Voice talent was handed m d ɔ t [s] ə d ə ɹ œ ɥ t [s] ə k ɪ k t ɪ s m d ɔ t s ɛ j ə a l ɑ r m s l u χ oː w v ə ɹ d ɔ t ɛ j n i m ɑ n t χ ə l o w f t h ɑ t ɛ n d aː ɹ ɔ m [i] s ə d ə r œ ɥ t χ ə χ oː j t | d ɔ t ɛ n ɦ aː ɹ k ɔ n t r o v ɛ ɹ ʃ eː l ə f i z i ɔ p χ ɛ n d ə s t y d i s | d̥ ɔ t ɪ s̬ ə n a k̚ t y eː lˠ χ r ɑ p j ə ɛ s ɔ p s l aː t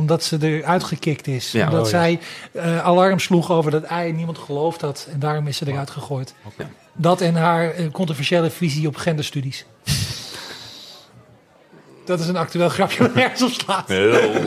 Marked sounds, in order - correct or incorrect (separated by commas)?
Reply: correct, incorrect, incorrect